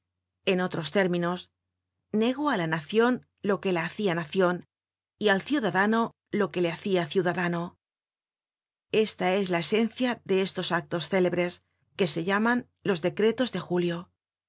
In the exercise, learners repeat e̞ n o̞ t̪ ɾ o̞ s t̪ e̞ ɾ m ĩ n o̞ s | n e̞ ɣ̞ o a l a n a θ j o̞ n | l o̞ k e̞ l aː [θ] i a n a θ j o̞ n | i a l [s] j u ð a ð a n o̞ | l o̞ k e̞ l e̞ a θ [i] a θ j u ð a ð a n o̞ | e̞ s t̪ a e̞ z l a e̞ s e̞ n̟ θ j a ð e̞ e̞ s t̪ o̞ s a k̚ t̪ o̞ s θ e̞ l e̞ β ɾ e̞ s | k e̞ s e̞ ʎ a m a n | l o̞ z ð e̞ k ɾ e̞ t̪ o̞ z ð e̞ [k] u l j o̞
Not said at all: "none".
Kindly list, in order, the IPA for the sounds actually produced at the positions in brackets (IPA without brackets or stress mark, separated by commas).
θ, θ, i, x